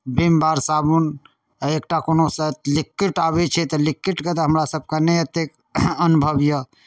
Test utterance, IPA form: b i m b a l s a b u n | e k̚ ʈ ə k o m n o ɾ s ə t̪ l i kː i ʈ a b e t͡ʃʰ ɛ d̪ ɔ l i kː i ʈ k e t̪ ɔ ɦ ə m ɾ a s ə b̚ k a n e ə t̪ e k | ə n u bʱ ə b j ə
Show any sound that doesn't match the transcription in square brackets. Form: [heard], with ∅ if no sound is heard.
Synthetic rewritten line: b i m b a [ɾ] s a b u n | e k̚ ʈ [a] k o [∅] n o [∅] s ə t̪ l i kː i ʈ a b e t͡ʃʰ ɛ [t̪] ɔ l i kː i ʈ k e t̪ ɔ ɦ ə m ɾ a s ə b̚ k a n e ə t̪ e k | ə n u bʱ ə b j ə